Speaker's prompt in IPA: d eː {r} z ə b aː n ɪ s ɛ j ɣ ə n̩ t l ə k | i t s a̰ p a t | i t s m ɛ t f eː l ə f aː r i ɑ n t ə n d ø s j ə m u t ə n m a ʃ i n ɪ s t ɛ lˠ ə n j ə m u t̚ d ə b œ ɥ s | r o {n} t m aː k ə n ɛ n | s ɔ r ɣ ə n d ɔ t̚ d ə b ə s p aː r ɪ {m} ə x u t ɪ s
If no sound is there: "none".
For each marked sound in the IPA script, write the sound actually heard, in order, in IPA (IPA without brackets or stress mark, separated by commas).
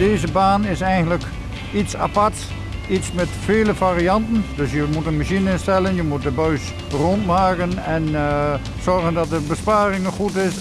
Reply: none, n, ŋ